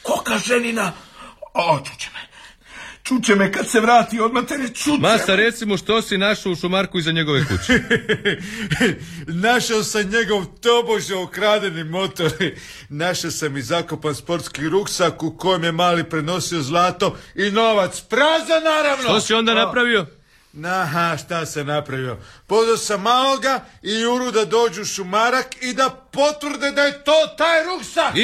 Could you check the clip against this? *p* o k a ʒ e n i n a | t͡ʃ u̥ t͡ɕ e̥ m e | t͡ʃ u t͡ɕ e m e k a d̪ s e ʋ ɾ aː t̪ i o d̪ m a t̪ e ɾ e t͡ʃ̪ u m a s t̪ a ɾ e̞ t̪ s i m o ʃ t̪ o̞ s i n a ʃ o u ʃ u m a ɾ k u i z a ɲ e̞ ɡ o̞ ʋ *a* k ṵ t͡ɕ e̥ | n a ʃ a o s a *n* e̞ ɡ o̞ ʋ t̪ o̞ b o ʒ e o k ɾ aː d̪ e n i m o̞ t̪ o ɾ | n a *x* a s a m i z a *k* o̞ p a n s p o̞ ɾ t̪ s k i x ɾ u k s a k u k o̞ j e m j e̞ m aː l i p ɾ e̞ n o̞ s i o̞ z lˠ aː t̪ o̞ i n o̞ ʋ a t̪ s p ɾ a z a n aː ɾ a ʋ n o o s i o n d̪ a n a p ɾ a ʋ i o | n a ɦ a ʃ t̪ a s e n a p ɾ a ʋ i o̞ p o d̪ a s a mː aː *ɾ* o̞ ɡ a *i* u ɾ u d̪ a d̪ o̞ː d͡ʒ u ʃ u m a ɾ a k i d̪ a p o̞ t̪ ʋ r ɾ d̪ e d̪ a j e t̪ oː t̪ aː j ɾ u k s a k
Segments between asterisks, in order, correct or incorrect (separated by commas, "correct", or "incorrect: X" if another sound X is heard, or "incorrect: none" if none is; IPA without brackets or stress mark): incorrect: k, incorrect: e, incorrect: ɲ, incorrect: ʃ, correct, incorrect: l, correct